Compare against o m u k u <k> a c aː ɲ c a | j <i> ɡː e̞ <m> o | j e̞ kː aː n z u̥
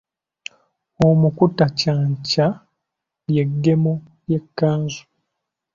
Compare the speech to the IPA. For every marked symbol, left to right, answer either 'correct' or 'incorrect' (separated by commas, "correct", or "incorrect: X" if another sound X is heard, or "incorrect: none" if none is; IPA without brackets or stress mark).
incorrect: t, incorrect: e, correct